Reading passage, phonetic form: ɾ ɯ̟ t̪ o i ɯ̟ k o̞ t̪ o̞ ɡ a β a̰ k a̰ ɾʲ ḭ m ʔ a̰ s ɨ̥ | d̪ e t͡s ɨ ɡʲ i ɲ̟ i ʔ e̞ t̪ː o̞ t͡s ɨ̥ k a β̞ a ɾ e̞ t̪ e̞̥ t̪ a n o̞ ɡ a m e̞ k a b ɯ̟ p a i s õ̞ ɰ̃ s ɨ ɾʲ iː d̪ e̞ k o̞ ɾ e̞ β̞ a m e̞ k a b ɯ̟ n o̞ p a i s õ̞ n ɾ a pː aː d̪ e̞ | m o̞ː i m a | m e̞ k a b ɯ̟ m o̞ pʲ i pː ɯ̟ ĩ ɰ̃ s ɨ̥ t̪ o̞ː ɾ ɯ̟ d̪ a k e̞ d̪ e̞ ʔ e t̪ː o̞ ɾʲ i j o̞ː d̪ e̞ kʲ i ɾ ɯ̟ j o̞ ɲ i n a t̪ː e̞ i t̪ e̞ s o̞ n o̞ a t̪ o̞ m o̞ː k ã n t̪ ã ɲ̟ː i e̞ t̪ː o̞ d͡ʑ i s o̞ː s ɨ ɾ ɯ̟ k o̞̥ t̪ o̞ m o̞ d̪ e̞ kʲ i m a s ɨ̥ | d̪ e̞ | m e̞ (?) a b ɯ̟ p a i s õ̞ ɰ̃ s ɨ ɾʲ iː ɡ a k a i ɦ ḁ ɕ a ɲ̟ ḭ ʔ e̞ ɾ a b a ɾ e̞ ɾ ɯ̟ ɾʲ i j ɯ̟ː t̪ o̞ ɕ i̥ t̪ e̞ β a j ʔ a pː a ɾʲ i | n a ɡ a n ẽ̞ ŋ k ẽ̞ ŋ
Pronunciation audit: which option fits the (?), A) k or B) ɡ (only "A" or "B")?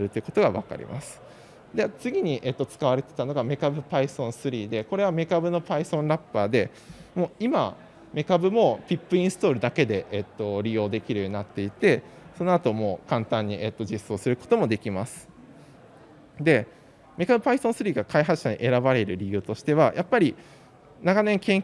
A